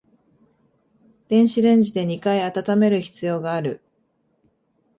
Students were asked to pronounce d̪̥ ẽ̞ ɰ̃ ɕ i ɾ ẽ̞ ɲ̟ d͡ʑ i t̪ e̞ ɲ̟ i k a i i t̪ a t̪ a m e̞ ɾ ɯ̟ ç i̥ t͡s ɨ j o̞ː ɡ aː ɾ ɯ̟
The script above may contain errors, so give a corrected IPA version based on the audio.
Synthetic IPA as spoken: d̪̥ ẽ̞ ɰ̃ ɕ i ɾ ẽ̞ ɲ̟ d͡ʑ i d̪ e̞ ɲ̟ i k a i a t̪ a t̪ a m e̞ ɾ ɯ̟ ç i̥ t͡s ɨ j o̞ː ɡ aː ɾ ɯ̟